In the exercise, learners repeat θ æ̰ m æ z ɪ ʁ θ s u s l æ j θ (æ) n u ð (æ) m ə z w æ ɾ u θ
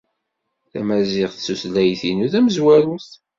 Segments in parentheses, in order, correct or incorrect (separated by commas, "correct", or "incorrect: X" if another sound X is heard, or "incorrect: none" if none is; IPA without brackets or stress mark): incorrect: i, correct